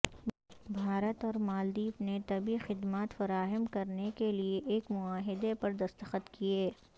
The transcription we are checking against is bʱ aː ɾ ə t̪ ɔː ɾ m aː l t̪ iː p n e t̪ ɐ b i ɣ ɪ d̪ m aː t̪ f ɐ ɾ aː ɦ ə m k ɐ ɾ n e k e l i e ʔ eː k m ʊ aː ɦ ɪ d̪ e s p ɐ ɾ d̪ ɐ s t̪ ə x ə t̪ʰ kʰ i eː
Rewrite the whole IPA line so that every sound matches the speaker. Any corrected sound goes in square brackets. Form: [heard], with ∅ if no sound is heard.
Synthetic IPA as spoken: bʱ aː ɾ ə t̪ ɔː ɾ m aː l [d̪] iː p n e t̪ ɐ b i [x] ɪ d̪ m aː t̪ f ɐ ɾ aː ɦ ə m k ɐ ɾ n e k e l i e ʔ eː k m ʊ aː ɦ ɪ d̪ e [∅] p ɐ ɾ d̪ ɐ s t̪ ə x ə [t̪] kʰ i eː